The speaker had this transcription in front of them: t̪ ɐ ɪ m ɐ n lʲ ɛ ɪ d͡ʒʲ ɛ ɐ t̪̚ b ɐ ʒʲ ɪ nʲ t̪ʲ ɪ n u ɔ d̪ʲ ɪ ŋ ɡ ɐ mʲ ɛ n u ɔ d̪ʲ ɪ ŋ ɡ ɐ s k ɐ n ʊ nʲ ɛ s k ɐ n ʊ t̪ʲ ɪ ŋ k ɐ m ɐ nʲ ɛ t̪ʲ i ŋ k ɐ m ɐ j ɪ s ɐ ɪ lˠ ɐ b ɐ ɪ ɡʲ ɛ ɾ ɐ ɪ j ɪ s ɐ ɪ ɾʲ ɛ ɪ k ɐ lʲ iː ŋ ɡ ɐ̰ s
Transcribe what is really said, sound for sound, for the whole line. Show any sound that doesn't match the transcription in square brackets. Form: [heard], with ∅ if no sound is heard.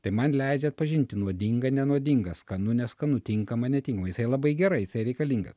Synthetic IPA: t̪ ɐ ɪ m ɐ n lʲ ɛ ɪ d͡ʒʲ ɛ ɐ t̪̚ [p] ɐ ʒʲ ɪ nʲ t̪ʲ ɪ n u ɔ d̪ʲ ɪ ŋ ɡ ɐ [nʲ] ɛ n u ɔ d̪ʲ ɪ ŋ ɡ ɐ s k ɐ n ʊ nʲ ɛ s k ɐ n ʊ t̪ʲ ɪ ŋ k ɐ m ɐ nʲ ɛ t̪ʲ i ŋ k ɐ m ɐ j ɪ s ɐ ɪ lˠ ɐ b ɐ ɪ ɡʲ ɛ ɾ ɐ ɪ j ɪ s ɐ ɪ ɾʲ ɛ ɪ k ɐ lʲ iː ŋ ɡ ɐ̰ s